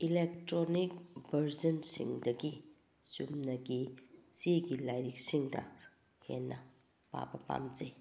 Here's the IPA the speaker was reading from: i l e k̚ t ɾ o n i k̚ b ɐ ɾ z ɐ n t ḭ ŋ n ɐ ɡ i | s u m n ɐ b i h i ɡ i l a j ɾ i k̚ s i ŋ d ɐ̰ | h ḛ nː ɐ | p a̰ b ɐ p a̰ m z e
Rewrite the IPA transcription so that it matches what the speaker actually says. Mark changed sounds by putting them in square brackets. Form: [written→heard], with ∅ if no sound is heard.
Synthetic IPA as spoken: i l e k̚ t ɾ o n i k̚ b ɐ ɾ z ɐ n [t→s] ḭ ŋ [n→d] ɐ ɡ i | s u m n ɐ [b→ɡ] i [h→s] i ɡ i l a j ɾ i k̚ s i ŋ d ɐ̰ | h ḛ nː ɐ | p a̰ b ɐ p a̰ m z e